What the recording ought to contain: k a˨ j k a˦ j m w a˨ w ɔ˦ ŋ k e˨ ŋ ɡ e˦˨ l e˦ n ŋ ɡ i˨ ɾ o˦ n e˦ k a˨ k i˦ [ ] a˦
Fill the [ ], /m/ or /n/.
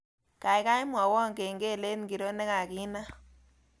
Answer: n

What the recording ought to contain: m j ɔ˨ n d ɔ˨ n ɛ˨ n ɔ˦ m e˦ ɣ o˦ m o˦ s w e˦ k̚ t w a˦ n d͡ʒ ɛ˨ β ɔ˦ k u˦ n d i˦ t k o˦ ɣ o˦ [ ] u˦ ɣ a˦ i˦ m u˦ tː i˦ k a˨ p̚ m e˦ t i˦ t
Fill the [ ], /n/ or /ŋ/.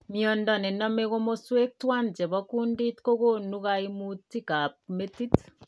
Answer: n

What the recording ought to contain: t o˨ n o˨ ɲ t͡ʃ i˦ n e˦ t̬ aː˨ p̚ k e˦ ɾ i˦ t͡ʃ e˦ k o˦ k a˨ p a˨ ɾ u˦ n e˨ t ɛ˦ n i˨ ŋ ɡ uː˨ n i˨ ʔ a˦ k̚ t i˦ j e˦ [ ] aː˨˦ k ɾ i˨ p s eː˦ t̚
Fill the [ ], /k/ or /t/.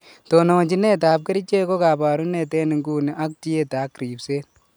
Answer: t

